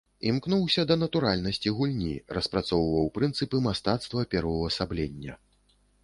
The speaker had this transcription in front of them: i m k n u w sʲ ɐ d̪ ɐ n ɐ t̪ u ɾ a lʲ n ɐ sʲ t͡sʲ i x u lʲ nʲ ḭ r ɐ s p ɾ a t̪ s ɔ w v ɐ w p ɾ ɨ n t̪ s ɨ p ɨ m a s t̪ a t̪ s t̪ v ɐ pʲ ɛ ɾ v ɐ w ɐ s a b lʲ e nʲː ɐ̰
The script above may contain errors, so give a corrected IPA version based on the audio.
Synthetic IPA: i m k n u w sʲ ɐ d̪ ɐ n ɐ t̪ u ɾ a lʲ n ɐ sʲ t͡sʲ i ɣ u lʲ nʲ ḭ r ɐ s p ɾ a t̪ s ɔ w v ɐ w p ɾ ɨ n t̪ s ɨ p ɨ m a s t̪ a t̪ s t̪ v ɐ pʲ ɛ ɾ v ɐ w ɐ s a b lʲ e nʲː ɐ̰